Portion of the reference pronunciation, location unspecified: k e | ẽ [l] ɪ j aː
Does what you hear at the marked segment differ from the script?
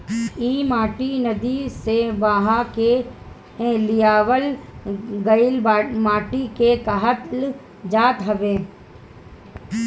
no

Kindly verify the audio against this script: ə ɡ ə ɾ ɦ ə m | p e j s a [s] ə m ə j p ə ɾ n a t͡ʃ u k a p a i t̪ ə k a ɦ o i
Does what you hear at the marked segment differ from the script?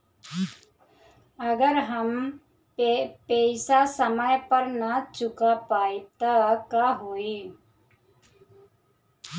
no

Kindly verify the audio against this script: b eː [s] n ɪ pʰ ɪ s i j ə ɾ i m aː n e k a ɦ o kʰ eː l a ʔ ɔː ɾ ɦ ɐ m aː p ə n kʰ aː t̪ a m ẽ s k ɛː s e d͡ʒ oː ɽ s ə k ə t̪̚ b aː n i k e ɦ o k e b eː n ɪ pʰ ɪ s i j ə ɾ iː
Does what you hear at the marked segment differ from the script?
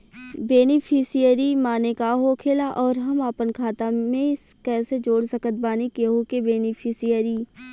yes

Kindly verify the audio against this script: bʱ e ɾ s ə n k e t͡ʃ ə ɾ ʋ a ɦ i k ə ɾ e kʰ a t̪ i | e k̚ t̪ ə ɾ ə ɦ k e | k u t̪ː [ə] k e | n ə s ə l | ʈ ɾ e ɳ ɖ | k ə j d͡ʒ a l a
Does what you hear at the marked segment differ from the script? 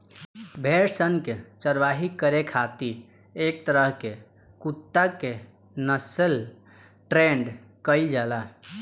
yes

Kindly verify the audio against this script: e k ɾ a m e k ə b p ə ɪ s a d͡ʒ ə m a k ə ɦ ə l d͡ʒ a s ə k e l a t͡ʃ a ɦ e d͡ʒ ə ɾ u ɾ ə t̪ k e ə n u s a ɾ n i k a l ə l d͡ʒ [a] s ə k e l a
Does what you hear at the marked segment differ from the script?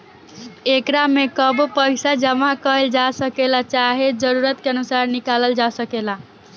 no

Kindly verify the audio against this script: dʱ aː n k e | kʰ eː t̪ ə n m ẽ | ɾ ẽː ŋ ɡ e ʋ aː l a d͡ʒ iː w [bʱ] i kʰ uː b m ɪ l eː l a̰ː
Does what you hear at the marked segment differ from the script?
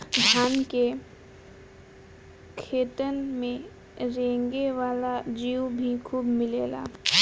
no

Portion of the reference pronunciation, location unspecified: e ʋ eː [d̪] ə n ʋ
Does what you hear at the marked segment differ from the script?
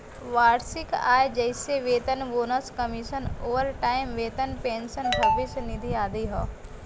yes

